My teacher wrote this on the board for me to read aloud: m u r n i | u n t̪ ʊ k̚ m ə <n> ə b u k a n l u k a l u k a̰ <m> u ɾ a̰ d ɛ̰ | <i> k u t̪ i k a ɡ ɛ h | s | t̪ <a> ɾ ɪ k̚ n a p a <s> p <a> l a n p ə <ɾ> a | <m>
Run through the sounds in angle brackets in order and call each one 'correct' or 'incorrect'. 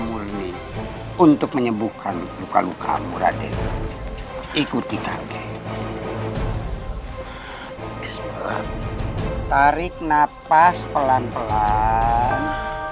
incorrect: ɲ, correct, correct, correct, correct, incorrect: ə, incorrect: l, incorrect: n

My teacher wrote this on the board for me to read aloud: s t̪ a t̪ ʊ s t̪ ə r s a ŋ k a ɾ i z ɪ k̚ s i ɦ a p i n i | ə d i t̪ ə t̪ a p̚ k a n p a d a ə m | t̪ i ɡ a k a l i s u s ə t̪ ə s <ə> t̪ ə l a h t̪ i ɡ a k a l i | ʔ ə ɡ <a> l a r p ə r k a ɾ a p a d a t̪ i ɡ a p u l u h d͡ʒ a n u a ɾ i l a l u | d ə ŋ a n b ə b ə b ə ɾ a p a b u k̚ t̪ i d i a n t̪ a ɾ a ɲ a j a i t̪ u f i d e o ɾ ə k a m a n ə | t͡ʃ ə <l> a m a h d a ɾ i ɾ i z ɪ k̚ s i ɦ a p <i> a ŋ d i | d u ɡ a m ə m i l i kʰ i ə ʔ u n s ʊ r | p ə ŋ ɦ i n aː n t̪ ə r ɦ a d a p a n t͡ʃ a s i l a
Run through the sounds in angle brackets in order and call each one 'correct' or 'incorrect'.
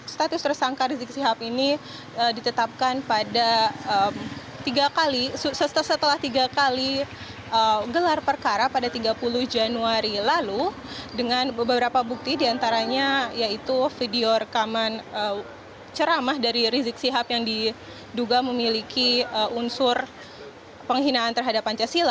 correct, incorrect: ə, incorrect: ɾ, incorrect: j

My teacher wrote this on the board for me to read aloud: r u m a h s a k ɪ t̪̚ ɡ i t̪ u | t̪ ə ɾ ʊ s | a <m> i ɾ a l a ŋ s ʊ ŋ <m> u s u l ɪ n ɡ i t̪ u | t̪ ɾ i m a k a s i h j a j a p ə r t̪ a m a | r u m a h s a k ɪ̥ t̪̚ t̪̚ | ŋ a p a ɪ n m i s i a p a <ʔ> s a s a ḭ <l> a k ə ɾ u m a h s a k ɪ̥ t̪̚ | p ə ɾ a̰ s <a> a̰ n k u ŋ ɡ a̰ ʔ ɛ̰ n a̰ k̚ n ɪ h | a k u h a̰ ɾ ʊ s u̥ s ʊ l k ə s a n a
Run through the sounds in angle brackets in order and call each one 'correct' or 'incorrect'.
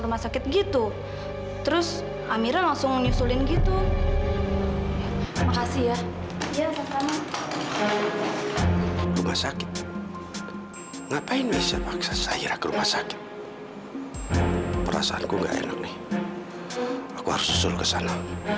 correct, incorrect: ɲ, incorrect: k, incorrect: ɾ, correct

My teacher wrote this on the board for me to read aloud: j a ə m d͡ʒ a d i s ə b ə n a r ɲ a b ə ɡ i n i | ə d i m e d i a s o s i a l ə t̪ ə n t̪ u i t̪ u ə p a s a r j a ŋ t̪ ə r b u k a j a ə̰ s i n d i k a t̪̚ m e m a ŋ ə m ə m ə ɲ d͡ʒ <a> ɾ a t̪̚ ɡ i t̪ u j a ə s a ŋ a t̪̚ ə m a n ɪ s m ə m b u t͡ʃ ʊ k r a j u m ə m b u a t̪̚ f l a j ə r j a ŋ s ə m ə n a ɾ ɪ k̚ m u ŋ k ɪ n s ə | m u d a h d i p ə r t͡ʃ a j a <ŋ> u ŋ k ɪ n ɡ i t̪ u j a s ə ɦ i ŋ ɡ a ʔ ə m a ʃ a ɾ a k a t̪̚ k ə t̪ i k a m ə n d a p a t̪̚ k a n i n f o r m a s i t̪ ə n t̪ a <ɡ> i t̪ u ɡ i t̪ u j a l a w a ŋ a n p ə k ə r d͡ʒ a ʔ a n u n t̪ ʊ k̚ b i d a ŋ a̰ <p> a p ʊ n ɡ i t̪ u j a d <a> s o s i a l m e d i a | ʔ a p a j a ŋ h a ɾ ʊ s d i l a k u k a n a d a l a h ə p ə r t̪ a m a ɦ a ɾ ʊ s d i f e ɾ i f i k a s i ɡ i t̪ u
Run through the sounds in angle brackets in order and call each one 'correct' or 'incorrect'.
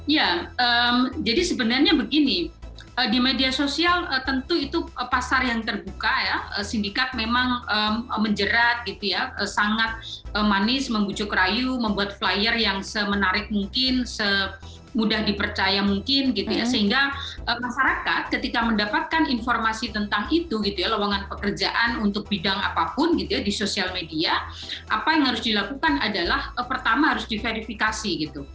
incorrect: ə, incorrect: m, incorrect: ŋ, correct, incorrect: i

